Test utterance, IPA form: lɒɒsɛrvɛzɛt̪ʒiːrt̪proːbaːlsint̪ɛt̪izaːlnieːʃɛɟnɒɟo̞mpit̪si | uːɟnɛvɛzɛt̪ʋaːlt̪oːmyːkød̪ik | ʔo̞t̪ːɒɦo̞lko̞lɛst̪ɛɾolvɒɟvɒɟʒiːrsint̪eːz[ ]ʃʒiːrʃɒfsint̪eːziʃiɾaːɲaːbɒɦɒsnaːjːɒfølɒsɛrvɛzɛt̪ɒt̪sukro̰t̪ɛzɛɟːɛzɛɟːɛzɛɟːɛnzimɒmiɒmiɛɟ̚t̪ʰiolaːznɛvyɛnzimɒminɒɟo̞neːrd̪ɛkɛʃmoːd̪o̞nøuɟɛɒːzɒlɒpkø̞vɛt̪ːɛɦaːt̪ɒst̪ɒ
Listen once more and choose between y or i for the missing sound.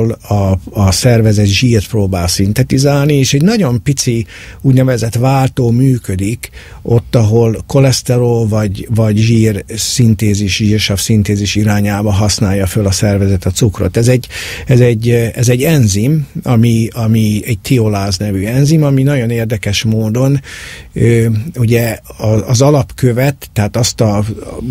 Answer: i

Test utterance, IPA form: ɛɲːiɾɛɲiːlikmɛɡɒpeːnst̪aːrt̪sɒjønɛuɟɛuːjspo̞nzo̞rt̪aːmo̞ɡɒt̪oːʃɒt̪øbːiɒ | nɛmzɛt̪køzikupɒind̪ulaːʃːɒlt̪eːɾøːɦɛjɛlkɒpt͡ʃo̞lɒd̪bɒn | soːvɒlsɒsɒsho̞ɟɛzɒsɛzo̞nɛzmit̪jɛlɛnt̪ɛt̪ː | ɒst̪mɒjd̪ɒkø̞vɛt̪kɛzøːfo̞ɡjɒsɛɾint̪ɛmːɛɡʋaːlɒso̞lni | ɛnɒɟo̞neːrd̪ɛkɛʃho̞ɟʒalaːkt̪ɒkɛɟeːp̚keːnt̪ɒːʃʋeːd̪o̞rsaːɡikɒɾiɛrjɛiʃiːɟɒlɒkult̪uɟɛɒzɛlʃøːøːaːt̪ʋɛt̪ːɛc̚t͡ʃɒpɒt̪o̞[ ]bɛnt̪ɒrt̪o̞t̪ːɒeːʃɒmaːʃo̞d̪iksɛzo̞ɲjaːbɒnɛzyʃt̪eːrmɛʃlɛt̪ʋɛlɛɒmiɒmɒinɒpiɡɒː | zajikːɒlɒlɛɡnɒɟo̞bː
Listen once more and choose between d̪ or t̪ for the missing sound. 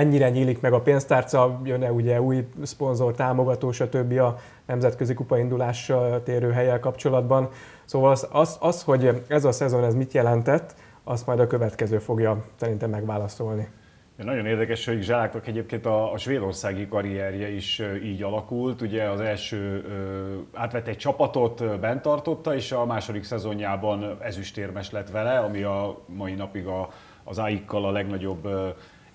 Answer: t̪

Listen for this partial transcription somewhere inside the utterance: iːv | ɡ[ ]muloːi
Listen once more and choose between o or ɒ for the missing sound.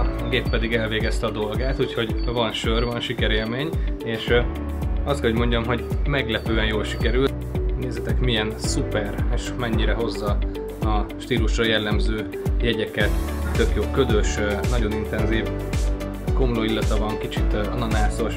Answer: o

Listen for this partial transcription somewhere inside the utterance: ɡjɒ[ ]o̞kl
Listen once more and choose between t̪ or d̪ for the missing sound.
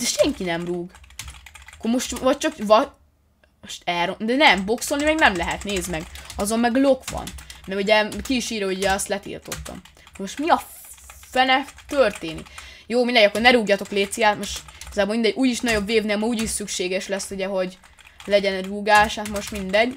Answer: t̪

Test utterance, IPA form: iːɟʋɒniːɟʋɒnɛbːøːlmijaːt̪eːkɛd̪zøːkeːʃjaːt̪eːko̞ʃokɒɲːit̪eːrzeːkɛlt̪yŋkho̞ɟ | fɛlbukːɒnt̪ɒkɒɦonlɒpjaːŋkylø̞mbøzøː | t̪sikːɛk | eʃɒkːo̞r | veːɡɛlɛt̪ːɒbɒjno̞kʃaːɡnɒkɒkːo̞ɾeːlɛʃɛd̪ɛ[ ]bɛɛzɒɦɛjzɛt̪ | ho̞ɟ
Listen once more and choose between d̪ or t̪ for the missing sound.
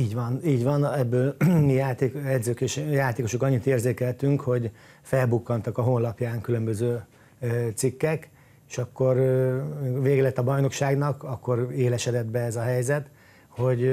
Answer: d̪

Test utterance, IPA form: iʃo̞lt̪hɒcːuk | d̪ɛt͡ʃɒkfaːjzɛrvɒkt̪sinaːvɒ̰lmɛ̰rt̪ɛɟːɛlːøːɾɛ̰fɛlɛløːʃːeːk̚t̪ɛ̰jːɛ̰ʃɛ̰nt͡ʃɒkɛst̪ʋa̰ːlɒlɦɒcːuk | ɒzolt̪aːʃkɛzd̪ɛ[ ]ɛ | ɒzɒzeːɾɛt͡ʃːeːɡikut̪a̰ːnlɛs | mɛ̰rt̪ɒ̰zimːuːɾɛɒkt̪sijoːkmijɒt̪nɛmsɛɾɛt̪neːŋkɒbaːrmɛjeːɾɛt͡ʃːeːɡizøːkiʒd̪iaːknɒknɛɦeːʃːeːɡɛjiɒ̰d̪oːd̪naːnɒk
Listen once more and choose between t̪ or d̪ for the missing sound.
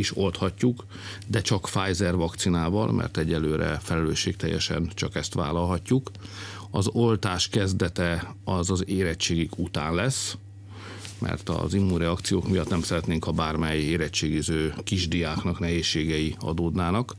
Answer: t̪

